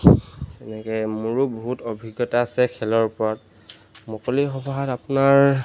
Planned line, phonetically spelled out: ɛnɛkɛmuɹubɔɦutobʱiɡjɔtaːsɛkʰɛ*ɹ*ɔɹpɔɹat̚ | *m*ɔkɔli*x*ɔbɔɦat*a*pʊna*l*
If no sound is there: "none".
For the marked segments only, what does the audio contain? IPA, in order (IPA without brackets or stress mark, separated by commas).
l, m, x, a, ɹ